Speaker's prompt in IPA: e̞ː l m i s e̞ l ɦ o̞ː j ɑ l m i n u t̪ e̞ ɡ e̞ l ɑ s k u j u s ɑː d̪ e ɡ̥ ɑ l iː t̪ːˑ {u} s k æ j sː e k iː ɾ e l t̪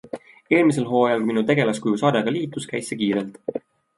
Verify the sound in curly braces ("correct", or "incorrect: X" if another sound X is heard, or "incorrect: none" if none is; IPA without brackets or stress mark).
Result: correct